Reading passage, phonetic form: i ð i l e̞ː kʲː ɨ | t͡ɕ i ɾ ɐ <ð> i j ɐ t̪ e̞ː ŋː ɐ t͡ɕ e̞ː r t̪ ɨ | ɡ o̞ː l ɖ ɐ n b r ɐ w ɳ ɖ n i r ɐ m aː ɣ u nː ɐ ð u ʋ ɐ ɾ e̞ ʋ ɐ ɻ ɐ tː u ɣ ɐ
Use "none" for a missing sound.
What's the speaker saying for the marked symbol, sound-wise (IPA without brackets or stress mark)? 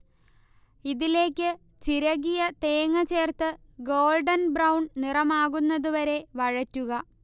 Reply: ɣ